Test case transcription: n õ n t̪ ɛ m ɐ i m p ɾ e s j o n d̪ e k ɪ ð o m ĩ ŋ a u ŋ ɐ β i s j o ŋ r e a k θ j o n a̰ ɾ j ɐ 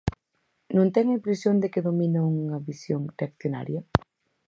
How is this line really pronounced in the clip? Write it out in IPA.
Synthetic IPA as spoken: n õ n t̪ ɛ ŋ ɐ i m p ɾ e s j o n d̪ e k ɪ ð o m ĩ n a u ŋ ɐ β i s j o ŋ r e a k θ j o n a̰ ɾ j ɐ